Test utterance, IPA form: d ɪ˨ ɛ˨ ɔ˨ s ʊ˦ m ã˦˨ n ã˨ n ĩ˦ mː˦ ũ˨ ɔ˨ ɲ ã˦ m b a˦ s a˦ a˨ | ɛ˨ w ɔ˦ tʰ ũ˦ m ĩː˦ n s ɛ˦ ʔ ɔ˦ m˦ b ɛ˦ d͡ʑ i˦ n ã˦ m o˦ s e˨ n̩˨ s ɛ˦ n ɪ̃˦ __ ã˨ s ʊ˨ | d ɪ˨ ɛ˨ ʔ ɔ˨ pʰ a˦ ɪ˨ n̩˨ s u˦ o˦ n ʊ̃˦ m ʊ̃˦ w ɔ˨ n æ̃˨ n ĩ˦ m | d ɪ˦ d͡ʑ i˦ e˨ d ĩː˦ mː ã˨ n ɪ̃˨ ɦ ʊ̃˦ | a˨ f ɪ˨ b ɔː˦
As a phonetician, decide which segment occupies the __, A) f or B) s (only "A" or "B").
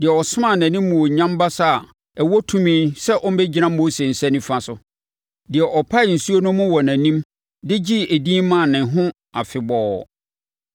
A